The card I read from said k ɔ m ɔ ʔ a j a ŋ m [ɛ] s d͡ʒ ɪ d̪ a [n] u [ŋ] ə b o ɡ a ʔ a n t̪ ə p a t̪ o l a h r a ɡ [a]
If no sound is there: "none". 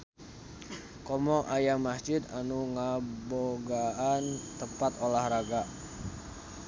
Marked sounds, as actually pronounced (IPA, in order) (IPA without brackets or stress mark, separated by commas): a, n, ŋ, a